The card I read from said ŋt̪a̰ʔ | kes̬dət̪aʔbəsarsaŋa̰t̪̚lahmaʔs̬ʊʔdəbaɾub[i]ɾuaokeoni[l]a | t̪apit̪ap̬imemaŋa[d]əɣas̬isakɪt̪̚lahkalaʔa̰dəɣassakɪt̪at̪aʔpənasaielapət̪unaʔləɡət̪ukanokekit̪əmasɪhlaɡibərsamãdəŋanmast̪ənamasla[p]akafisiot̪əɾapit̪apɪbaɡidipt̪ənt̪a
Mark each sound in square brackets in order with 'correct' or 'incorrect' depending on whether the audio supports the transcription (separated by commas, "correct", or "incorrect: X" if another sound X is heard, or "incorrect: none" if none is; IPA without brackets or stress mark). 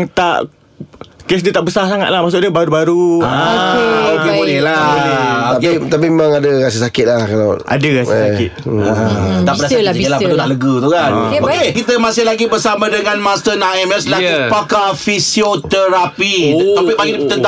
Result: incorrect: a, correct, correct, correct